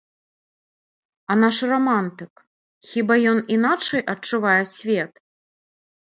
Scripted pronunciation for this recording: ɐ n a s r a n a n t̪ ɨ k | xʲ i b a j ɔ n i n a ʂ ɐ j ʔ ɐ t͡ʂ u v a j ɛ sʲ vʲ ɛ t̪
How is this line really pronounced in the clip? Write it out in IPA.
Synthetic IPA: ɐ n a ʂ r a m a n t̪ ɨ k | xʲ i b a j ɔ n i n a t͡ʂ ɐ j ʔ ɐ t͡ʂ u v a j ɛ sʲ vʲ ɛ t̪